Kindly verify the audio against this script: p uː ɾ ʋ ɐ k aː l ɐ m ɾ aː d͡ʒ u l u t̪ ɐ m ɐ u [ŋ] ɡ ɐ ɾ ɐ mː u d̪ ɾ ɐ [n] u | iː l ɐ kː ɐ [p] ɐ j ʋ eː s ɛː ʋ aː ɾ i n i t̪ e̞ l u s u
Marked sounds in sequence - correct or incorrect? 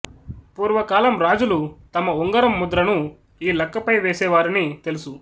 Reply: correct, correct, correct

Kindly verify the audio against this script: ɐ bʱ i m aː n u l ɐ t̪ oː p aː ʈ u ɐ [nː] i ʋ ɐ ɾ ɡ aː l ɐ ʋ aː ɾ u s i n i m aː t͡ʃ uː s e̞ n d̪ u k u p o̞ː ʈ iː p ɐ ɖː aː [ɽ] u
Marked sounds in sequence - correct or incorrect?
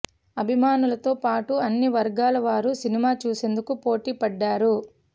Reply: correct, incorrect: ɾ

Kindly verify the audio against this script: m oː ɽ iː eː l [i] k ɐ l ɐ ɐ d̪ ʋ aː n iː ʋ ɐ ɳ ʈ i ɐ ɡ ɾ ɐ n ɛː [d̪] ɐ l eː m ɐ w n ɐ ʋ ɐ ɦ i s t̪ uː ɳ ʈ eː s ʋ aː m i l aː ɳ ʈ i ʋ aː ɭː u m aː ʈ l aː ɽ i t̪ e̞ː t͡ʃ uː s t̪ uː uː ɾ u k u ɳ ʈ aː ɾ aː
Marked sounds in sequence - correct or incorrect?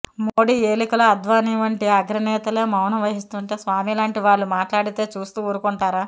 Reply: correct, incorrect: t̪

